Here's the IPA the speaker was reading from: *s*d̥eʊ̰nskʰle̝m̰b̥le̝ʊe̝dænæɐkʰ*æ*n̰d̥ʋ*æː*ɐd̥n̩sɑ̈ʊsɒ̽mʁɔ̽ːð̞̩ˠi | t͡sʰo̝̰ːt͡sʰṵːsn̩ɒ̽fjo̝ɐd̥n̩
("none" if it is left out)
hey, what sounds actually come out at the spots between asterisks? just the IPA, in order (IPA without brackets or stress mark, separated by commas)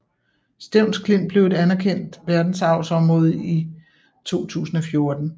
s, e, æ